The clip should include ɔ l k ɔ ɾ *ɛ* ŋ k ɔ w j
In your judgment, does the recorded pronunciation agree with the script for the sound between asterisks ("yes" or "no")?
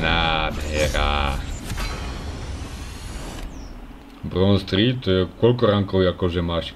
no